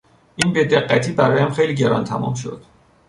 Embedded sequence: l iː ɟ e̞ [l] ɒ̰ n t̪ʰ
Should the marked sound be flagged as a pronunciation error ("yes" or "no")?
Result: yes